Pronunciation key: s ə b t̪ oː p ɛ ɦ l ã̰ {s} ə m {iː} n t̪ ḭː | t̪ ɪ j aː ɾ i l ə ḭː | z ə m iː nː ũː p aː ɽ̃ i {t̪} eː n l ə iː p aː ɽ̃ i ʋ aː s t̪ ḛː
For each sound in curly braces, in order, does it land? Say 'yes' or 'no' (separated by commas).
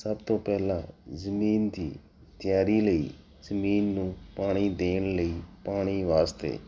no, yes, no